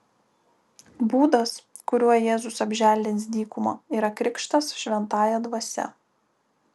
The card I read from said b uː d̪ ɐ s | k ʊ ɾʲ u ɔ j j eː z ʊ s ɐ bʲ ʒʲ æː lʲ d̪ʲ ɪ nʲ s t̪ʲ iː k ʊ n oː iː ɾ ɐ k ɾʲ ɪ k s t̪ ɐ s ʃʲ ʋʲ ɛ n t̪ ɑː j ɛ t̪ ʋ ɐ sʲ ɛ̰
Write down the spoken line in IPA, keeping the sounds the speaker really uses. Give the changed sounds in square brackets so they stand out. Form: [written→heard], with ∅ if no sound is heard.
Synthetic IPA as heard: b uː d̪ ɐ s | k ʊ ɾʲ u ɔ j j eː z ʊ s ɐ bʲ ʒʲ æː lʲ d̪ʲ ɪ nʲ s [t̪ʲ→d̪ʲ] iː k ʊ [n→m] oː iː ɾ ɐ k ɾʲ ɪ k [s→ʃ] t̪ ɐ s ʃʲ ʋʲ ɛ n t̪ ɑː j ɛ [t̪→d̪] ʋ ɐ sʲ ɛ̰